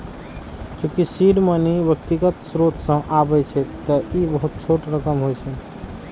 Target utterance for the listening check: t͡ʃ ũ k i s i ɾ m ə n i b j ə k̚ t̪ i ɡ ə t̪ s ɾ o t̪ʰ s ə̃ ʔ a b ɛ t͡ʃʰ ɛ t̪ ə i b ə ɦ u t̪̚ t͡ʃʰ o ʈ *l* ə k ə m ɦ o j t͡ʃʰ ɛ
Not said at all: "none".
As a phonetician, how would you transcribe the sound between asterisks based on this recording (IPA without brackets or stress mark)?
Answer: ɾ